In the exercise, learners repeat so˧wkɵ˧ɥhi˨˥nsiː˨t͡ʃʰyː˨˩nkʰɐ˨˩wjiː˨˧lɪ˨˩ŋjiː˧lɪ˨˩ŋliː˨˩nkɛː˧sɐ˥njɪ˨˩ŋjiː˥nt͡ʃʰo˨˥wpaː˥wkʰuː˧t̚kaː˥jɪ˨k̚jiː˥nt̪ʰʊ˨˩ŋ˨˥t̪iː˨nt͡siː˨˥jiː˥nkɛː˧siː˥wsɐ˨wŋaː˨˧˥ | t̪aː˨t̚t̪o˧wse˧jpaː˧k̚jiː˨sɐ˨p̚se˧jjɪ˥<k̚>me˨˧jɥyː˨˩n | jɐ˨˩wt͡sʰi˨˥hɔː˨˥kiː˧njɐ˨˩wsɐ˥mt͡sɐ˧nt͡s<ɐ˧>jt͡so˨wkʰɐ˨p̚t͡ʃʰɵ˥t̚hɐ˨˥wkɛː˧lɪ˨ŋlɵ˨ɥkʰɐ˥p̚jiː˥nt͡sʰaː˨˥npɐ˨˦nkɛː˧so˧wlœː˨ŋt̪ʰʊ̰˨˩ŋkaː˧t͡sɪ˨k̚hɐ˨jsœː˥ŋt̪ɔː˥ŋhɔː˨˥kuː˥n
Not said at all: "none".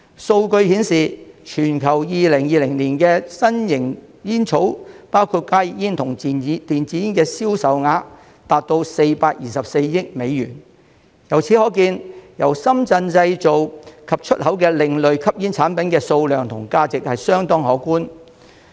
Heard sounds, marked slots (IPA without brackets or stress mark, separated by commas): k̚, ɐ˧